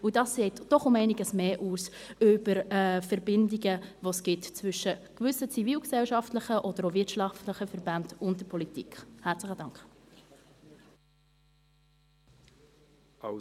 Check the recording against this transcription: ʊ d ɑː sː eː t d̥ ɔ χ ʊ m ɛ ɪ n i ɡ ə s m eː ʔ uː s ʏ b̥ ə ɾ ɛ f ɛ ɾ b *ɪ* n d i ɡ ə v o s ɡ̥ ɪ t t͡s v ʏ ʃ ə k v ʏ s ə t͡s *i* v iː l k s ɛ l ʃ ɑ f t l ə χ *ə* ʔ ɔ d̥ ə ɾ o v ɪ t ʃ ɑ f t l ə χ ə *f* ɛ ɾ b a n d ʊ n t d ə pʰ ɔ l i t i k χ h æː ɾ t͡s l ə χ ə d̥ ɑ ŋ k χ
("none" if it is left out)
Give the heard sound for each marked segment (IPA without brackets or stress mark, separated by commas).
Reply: ɪ, i, ə, f